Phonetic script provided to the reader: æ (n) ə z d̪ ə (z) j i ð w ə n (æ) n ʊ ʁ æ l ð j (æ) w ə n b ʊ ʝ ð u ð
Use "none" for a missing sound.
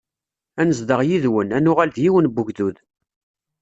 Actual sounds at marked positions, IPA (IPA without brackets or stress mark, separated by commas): n, ʁ, æ, i